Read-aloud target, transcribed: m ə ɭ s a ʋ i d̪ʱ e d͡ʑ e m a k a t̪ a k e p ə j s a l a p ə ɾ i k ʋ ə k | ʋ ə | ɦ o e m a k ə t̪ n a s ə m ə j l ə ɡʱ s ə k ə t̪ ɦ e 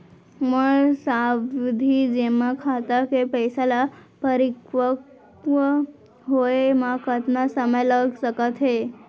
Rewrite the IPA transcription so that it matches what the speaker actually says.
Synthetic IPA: m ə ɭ s a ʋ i d̪ʱ i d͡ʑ e m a kʰ a t̪ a k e p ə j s a l a p ə ɾ i k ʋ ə k | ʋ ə | ɦ o e m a k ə t̪ n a s ə m ə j l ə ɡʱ s ə k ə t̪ ɦ e